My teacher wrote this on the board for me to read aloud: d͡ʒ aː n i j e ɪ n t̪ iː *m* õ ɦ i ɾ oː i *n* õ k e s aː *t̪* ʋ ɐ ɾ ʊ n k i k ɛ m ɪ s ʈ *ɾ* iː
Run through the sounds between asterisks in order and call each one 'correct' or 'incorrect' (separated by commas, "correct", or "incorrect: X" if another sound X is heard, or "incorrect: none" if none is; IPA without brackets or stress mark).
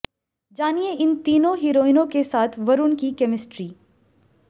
incorrect: n, correct, incorrect: t̪ʰ, correct